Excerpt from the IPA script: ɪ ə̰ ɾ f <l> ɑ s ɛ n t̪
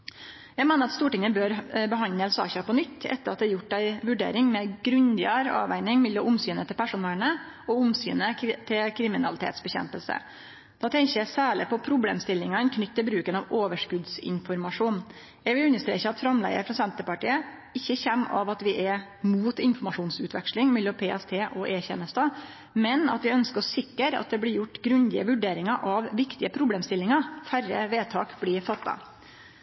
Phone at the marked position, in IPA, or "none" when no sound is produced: ɾ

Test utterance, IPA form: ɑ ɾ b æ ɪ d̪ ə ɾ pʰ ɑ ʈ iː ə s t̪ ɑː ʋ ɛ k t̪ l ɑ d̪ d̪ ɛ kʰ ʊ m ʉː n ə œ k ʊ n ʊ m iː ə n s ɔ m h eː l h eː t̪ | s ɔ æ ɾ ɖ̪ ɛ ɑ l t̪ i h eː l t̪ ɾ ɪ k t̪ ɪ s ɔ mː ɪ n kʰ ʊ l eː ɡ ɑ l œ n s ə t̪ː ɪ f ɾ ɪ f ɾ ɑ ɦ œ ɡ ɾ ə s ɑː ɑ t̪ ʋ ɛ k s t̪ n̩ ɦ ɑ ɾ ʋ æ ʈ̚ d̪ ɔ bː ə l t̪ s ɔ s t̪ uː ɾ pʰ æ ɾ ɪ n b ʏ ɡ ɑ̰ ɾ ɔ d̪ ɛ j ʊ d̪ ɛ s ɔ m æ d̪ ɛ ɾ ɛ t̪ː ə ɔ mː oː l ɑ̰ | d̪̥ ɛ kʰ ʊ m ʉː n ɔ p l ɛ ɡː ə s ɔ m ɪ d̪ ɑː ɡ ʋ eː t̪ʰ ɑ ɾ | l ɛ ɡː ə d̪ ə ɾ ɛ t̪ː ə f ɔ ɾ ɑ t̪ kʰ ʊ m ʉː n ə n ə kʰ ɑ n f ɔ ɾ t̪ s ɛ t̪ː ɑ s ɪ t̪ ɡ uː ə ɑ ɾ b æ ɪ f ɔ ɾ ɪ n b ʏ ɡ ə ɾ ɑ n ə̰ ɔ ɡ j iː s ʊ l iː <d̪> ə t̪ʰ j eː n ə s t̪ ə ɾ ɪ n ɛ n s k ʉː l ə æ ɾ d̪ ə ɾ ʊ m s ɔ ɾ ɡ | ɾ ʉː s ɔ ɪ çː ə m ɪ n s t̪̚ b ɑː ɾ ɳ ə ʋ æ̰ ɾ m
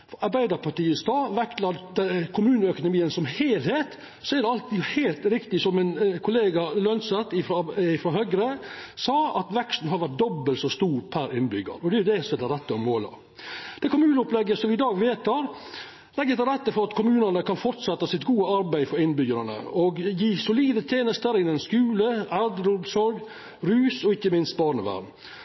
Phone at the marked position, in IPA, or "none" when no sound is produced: d̪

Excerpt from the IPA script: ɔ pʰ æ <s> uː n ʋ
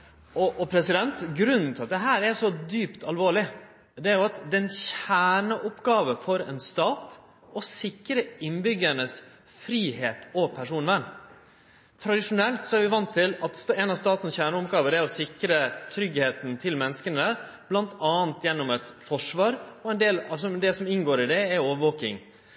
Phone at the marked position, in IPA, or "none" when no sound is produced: ʂ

